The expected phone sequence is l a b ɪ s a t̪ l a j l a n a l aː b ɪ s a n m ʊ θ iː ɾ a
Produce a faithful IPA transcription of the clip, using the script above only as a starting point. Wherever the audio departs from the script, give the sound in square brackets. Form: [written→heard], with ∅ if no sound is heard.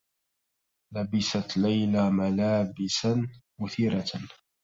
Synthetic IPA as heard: l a b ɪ s a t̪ l a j l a [n→m] a l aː b ɪ s a n m ʊ θ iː ɾ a